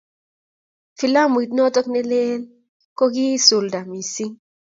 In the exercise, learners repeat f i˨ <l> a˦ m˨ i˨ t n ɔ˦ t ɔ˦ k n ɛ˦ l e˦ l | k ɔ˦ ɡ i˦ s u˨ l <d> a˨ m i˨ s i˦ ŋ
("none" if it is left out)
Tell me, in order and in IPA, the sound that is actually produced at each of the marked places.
l, d

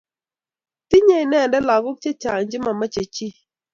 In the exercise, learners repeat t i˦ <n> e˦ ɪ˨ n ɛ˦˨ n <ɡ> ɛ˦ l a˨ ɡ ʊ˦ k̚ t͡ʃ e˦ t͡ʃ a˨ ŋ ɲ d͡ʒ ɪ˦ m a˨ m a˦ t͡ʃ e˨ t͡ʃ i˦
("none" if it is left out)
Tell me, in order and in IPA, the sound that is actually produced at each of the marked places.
ɲ, d

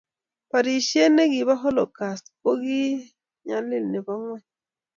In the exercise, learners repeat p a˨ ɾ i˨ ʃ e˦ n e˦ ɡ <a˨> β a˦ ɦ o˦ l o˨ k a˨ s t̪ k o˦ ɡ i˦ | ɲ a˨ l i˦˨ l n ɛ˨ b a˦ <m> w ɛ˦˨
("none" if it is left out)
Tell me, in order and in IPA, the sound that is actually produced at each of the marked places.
i˨, ŋ

